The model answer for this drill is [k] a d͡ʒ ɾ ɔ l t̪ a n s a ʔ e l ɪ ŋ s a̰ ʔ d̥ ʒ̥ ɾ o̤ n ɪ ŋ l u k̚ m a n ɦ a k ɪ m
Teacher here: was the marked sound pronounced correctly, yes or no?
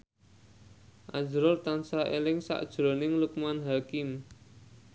no